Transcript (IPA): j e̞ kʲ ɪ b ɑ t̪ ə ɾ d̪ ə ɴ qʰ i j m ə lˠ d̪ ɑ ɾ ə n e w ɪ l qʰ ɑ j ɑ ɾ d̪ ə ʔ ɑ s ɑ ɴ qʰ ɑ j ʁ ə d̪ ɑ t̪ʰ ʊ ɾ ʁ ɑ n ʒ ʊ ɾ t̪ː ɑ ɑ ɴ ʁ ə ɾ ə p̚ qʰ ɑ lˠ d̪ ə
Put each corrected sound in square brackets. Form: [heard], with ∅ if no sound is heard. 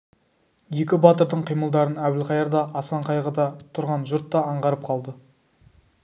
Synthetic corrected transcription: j e̞ kʲ ɪ b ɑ t̪ ə ɾ d̪ ə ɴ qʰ i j m ə lˠ d̪ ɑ ɾ ə n [æ] w ɪ l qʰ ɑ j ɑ ɾ d̪ [ɑ] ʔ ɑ s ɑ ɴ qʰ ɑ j ʁ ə d̪ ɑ t̪ʰ ʊ ɾ ʁ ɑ n ʒ ʊ ɾ t̪ː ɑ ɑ ɴ ʁ [ɑ] ɾ ə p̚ qʰ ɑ lˠ d̪ ə